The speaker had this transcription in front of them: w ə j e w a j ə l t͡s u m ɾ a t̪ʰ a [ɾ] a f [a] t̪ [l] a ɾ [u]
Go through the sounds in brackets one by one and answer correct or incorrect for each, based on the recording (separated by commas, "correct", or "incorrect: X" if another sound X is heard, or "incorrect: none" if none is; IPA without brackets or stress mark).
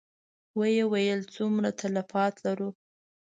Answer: incorrect: l, incorrect: ɑ, correct, correct